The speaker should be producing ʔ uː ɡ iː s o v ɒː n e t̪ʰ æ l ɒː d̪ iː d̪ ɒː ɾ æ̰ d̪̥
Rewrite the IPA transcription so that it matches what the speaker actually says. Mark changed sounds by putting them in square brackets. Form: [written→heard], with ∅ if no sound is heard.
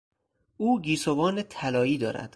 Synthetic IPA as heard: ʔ uː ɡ iː s o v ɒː n e t̪ʰ æ l ɒː [d̪→∅] iː d̪ ɒː ɾ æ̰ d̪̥